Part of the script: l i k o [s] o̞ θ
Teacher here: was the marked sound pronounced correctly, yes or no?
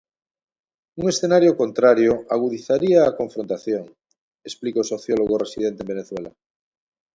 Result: yes